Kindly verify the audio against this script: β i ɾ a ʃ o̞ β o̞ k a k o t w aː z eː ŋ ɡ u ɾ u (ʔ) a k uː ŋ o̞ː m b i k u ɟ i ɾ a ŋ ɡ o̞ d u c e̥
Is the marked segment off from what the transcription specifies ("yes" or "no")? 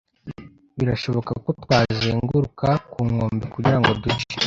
yes